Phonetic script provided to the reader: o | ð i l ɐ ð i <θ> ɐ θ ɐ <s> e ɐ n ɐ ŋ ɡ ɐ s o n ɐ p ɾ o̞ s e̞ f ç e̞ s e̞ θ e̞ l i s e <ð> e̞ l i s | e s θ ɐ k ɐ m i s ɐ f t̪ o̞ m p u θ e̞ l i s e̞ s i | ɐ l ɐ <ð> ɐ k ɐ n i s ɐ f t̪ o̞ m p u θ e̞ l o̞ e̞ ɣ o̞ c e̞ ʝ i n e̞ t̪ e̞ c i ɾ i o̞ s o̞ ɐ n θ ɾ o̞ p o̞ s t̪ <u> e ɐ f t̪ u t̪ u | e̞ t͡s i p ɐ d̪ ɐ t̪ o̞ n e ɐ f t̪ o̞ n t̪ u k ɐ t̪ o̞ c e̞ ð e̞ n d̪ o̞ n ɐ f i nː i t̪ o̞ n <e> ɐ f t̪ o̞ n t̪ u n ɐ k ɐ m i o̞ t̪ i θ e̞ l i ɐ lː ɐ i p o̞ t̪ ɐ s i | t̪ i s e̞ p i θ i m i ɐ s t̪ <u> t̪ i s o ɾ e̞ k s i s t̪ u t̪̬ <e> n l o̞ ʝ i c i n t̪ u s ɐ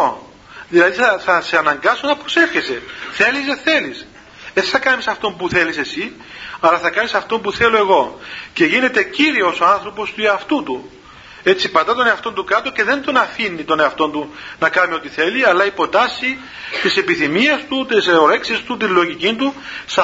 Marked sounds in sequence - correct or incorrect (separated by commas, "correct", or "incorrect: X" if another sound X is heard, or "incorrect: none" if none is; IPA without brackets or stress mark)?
correct, correct, incorrect: θ, incorrect: θ, correct, correct, correct, incorrect: i